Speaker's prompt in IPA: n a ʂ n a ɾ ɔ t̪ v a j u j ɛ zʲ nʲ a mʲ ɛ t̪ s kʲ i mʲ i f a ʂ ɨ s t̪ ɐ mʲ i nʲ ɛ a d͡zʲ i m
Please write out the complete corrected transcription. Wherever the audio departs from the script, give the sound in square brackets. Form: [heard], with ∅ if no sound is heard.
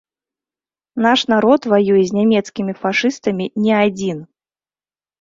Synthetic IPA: n a ʂ n a ɾ ɔ t̪ v a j u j ɛ zʲ nʲ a mʲ ɛ t̪ s kʲ i mʲ i f a ʂ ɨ s t̪ ɐ mʲ i nʲ ɛ a d͡zʲ i [n]